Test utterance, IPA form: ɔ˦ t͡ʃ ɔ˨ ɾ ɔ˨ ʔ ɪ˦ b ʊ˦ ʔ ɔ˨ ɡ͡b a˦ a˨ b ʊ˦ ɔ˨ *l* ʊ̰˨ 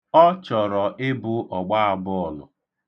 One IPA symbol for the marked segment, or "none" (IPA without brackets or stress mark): l